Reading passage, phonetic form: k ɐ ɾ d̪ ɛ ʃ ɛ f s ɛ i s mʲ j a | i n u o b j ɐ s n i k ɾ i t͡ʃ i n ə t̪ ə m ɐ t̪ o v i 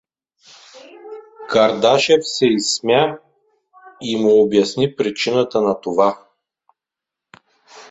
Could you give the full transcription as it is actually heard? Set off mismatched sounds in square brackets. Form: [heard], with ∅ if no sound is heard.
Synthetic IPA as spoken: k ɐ ɾ d̪ [a] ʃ ɛ f s ɛ i s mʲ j a | i [m] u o b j ɐ s n i [p] ɾ i t͡ʃ i n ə t̪ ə [n] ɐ t̪ o v [a]

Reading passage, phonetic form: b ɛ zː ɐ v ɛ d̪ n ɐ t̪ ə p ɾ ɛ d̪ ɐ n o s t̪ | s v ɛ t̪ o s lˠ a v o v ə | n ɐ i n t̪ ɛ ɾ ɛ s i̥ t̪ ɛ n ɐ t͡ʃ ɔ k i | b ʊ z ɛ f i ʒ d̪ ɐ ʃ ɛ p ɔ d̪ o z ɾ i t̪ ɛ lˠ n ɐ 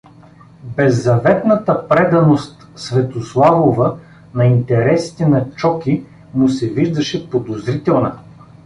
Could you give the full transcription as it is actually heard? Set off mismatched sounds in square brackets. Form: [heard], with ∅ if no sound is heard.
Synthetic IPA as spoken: b ɛ zː ɐ v ɛ [t̪] n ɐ t̪ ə p ɾ ɛ d̪ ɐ n o s t̪ | s v ɛ t̪ o s lˠ a v o v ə | n ɐ i n t̪ ɛ ɾ ɛ s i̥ t̪ ɛ n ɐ t͡ʃ ɔ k i | [m] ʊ [s] ɛ [v] i ʒ d̪ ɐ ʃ ɛ p [o] d̪ o z ɾ i t̪ ɛ lˠ n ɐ

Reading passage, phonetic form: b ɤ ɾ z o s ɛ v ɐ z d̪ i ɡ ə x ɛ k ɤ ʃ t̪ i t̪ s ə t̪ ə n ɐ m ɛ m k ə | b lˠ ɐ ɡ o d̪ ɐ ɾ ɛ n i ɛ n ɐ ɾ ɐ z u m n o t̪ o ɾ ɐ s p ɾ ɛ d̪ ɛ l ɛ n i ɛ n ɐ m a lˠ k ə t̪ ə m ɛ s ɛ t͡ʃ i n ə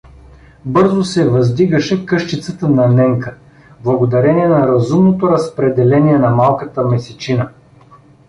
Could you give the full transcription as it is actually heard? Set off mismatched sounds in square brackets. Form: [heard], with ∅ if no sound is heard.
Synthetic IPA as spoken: b ɤ ɾ z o s ɛ v ɐ z d̪ i ɡ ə [ʃ] ɛ k ɤ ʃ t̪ i t̪ s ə t̪ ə n ɐ [n] ɛ [ŋ] k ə | b lˠ ɐ ɡ o d̪ ɐ ɾ ɛ n i ɛ n ɐ ɾ ɐ z u m n o t̪ o ɾ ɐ s p ɾ ɛ d̪ ɛ l ɛ n i ɛ n ɐ m a lˠ k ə t̪ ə m ɛ s ɛ t͡ʃ i n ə

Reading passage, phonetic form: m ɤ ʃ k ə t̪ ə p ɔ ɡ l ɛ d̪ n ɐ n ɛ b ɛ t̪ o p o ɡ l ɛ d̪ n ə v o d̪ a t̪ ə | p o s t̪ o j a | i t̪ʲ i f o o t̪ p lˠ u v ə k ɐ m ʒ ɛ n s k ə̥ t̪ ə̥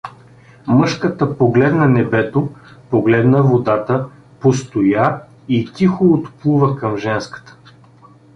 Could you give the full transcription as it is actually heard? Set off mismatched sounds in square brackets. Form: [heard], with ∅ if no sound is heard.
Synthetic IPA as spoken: m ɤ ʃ k ə t̪ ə p [o] ɡ l ɛ d̪ n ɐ n ɛ b ɛ t̪ o p o ɡ l ɛ d̪ n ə v o d̪ a t̪ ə | p o s t̪ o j a | i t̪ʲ i [x] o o t̪ p lˠ u v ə k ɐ m ʒ ɛ n s k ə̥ t̪ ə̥

